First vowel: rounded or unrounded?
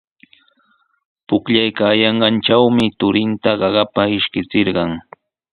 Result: rounded